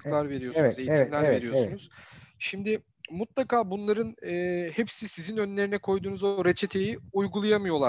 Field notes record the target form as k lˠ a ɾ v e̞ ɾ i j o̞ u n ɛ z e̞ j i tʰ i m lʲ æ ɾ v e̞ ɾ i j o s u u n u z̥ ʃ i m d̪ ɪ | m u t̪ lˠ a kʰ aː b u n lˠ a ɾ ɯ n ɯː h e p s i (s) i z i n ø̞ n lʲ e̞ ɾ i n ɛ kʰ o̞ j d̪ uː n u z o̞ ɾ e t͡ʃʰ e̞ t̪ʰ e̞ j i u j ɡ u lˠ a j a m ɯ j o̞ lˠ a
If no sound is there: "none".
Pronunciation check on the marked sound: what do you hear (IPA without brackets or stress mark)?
s